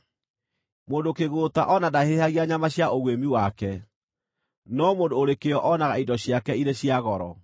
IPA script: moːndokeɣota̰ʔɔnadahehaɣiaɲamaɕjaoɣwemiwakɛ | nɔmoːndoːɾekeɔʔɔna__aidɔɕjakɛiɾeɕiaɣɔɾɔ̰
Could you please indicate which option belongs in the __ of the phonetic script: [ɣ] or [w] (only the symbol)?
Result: ɣ